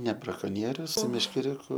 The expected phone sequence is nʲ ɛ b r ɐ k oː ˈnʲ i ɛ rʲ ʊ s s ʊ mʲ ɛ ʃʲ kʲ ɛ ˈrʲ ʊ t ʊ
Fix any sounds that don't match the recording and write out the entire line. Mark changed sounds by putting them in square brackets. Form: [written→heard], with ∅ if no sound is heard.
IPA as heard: nʲ ɛ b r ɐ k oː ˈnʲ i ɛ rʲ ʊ s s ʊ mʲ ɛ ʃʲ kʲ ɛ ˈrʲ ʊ [t→k] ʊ